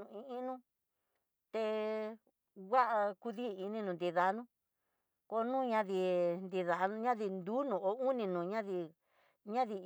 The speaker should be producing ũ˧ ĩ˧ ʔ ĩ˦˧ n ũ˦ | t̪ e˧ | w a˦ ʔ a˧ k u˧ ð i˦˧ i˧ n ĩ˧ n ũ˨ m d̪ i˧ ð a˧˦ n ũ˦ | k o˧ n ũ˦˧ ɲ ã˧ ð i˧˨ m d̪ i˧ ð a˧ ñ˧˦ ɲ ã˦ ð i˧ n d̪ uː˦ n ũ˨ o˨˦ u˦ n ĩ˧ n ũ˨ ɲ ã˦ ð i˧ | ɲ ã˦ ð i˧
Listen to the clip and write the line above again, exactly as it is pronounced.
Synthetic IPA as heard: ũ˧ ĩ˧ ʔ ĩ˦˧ n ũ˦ | t̪ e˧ | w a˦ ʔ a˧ k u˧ ð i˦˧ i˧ n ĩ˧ n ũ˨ n d̪ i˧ ð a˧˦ n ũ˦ | k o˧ n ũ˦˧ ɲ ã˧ ð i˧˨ n d̪ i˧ ð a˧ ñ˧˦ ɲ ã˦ ð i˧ n d̪ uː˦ n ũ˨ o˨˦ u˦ n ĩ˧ n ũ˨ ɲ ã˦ ð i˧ | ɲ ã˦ ð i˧